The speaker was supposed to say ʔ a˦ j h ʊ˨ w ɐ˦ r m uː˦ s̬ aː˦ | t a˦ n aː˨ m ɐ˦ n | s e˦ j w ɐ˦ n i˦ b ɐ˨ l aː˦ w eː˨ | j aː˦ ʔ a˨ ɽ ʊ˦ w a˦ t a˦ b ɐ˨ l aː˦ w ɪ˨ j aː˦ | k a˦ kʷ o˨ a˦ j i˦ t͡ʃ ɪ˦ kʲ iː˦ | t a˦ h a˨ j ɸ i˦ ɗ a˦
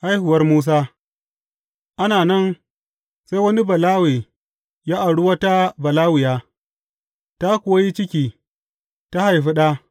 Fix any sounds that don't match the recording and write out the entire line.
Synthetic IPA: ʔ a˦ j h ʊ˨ w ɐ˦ r m uː˦ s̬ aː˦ | ʔ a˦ n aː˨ n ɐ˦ n | s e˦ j w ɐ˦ n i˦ b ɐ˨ l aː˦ w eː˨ | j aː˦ ʔ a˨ ɽ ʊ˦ w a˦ t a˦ b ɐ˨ l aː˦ w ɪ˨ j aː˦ | t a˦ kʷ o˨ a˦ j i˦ t͡ʃ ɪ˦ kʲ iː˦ | t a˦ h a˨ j ɸ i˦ ɗ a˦

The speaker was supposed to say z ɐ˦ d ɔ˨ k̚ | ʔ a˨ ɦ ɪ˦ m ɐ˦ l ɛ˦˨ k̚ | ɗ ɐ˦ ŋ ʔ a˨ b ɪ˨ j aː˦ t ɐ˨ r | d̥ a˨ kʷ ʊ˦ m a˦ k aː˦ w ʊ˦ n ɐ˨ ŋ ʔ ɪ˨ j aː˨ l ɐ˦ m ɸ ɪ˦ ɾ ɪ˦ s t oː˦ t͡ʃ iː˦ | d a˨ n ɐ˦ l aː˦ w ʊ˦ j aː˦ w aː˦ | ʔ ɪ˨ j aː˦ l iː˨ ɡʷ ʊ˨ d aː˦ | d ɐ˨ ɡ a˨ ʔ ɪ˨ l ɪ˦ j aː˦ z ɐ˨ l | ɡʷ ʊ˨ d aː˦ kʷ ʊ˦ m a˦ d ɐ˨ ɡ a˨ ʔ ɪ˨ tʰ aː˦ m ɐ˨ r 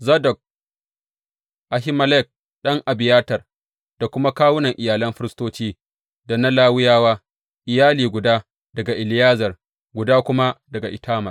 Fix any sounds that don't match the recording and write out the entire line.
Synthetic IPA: z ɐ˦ d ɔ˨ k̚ | ʔ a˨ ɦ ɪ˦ m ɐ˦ l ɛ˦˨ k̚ | ɗ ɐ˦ ŋ ʔ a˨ b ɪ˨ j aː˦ t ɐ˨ r | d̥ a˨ kʷ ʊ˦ m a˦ k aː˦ w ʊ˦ n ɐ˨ ŋ ʔ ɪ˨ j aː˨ l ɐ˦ m ɸ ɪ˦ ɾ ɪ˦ s t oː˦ t͡ʃ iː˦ | d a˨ n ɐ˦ l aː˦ w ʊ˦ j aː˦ w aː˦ | ʔ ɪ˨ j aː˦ l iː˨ ɡʷ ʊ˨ d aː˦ | d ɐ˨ ɡ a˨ ʔ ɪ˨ l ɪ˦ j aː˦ z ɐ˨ r | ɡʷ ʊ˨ d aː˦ kʷ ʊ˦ m a˦ d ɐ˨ ɡ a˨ ʔ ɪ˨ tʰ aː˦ m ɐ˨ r

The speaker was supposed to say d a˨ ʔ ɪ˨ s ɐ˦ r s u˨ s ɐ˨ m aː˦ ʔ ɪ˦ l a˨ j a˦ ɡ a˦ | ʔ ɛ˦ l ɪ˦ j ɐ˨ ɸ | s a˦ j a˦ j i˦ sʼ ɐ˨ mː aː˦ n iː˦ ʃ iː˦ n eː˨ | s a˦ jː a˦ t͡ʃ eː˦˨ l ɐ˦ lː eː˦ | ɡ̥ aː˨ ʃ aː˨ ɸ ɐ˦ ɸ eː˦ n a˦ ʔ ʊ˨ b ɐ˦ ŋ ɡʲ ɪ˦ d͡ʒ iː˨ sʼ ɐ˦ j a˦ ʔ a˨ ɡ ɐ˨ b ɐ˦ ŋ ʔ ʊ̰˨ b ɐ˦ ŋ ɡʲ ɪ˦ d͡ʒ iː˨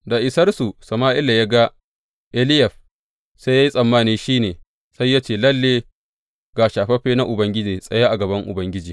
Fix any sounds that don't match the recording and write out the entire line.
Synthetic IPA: d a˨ ʔ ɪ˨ s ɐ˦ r s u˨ s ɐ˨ m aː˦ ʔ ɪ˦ l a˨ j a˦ ɡ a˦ | ʔ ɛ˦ l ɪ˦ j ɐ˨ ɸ | s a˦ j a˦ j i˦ sʼ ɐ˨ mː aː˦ n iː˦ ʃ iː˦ n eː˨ | s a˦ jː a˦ t͡ʃ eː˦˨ l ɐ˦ lː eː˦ | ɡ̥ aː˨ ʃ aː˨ ɸ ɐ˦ ɸ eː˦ n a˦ ʔ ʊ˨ b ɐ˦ ŋ ɡʲ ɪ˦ d͡ʒ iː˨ sʼ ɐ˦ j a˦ ʔ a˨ ɡ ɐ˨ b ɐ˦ ŋ ʔ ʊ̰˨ b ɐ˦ ŋ ɡʲ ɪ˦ d͡ʒ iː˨

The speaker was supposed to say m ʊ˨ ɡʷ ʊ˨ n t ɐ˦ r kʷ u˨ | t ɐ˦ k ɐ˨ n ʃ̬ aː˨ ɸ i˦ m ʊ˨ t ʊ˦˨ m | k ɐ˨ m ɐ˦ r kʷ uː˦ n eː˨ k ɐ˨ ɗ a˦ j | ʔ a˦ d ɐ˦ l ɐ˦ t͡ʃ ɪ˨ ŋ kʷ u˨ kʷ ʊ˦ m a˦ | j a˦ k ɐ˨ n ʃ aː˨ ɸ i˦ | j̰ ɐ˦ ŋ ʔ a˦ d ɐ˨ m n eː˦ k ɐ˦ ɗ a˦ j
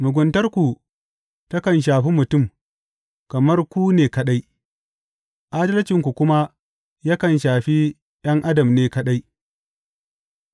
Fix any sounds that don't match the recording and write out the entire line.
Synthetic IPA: m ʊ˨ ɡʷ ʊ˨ n t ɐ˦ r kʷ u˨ | t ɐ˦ k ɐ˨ n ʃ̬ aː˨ ɸ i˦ m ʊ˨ t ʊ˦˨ m | k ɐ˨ m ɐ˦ r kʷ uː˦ n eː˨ k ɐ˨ ɗ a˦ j | ʔ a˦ d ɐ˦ l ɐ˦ t͡ʃ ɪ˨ ŋ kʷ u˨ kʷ ʊ˦ m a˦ | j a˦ k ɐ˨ n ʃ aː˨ ɸ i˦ | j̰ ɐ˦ ŋ ʔ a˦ d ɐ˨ m n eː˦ k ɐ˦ ɗ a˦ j

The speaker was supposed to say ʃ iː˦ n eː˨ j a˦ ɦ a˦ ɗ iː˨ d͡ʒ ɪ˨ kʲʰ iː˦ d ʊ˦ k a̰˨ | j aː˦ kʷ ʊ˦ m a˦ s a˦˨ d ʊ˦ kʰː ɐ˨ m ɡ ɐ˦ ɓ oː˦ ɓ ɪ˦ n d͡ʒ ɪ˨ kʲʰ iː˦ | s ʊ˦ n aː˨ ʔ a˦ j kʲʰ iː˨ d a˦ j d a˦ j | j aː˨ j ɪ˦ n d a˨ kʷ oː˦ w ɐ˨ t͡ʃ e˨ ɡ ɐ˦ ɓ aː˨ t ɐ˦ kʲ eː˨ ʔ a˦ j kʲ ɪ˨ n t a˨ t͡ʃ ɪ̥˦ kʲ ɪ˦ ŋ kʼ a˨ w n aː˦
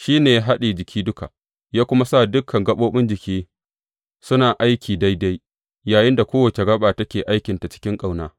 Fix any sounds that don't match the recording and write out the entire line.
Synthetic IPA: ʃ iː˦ n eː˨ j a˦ ɦ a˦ ɗ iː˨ d͡ʒ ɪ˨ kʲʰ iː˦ d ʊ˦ k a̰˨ | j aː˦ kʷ ʊ˦ m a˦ s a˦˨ d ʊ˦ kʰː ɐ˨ ŋ ɡ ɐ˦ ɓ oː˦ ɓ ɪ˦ n d͡ʒ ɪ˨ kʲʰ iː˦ | s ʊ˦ n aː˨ ʔ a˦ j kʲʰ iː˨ d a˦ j d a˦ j | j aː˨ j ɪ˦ n d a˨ kʷ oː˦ w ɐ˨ t͡ʃ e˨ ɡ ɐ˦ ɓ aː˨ t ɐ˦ kʲ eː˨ ʔ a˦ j kʲ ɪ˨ n t a˨ t͡ʃ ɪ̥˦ kʲ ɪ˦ ŋ kʼ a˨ w n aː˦

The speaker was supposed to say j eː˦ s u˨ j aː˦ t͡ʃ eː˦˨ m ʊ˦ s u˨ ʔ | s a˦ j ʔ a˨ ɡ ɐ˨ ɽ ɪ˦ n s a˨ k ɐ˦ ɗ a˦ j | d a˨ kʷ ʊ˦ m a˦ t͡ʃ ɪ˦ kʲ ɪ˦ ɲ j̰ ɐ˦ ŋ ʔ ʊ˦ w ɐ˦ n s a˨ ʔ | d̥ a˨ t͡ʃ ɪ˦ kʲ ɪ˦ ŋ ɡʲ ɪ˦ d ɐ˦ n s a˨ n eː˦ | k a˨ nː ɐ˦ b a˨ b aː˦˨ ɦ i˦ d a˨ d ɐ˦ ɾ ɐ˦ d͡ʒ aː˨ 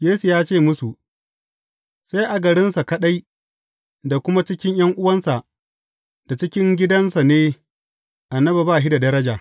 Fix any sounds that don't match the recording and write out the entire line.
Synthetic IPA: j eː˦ s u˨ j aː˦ t͡ʃ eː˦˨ m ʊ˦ s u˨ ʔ | s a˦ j ʔ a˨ ɡ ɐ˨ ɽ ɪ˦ n s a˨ k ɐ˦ ɗ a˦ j | d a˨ kʷ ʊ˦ m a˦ t͡ʃ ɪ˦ kʲ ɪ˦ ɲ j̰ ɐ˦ ŋ ʔ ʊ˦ w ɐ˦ n s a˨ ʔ | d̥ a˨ t͡ʃ ɪ˦ kʲ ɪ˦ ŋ ɡʲ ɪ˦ d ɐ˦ n s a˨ n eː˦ | ʔ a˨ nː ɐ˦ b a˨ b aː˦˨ ɦ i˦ d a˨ d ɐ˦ ɾ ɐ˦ d͡ʒ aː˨

